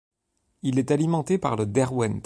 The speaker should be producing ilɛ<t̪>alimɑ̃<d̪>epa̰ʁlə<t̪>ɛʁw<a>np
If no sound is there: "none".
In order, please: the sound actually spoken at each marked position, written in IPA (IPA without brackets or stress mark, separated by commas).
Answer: t̪, t̪, d̪, ɛ